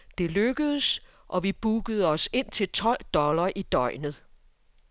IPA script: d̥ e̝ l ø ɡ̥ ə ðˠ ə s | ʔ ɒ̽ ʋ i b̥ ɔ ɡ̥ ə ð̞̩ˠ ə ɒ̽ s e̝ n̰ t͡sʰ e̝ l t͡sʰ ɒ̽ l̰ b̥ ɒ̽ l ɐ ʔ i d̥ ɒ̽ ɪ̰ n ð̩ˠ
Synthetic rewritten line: d̥ e̝ l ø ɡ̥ ə ðˠ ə s | ʔ ɒ̽ ʋ i b̥ u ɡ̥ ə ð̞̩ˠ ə ɒ̽ s e̝ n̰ t͡sʰ e̝ l t͡sʰ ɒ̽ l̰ d̥ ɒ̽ l ɐ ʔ i d̥ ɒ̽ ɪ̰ n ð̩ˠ